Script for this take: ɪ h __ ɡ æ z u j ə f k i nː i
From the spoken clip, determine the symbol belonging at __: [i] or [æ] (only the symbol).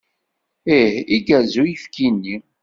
i